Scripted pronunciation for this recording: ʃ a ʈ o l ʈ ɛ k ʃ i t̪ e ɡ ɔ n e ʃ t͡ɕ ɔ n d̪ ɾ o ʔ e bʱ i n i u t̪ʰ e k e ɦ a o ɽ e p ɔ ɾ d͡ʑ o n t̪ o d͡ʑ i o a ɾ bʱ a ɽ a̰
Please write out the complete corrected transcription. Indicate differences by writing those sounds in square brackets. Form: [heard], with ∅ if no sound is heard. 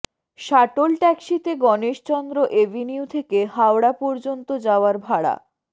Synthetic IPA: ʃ a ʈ o l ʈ ɛ k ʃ i t̪ e ɡ ɔ n e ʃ t͡ɕ ɔ n d̪ ɾ o ʔ e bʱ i n i u t̪ʰ e k e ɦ a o ɽ [a] p ɔ ɾ d͡ʑ o n t̪ o d͡ʑ [a] o a ɾ bʱ a ɽ a̰